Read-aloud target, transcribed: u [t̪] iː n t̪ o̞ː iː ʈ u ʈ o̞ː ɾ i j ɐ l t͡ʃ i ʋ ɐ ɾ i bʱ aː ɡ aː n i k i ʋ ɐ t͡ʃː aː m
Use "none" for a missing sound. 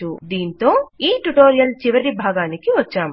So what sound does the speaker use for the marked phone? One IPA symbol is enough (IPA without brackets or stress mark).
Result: d̪